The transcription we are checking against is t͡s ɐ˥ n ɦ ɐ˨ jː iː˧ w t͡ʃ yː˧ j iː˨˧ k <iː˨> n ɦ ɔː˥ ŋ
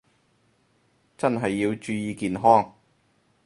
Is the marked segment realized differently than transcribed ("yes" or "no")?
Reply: no